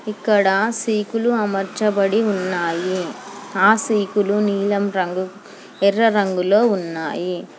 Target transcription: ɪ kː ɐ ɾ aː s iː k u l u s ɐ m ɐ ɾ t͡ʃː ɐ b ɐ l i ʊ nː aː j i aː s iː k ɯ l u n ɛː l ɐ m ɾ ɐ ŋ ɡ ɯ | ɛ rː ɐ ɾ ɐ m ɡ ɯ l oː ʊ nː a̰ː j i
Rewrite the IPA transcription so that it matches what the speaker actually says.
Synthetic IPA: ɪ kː ɐ ɽ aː s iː k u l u ɐ m ɐ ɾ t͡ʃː ɐ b ɐ ɽ i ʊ nː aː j i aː s iː k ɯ l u n iː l ɐ m ɾ ɐ ŋ ɡ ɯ | ɛ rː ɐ ɾ ɐ ŋ ɡ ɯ l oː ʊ nː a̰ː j i